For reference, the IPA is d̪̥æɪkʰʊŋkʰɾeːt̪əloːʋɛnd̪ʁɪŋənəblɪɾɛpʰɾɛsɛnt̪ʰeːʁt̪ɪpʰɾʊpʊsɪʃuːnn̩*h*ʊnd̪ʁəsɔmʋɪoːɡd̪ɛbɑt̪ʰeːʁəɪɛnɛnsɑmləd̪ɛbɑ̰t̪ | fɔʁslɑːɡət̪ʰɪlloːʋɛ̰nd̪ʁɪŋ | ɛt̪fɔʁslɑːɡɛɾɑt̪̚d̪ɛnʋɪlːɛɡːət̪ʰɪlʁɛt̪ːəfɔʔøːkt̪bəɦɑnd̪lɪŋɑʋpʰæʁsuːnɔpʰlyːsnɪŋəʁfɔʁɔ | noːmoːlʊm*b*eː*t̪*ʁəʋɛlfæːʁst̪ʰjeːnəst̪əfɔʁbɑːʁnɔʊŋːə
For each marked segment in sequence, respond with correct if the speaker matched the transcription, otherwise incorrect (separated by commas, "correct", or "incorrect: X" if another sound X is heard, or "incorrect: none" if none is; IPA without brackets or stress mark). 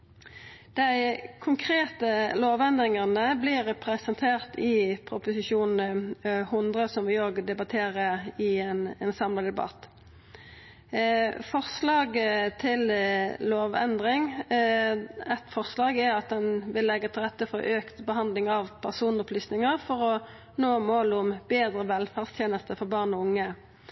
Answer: correct, correct, incorrect: d̪